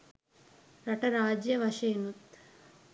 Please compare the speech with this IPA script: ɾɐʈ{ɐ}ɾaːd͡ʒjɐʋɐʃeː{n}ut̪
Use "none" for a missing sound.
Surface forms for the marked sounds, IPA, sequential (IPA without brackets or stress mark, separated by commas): ɐ, n